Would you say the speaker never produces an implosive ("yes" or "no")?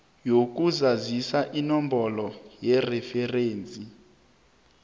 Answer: yes